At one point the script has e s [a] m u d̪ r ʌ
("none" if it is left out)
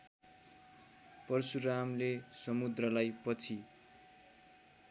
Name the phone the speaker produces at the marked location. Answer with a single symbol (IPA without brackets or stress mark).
ʌ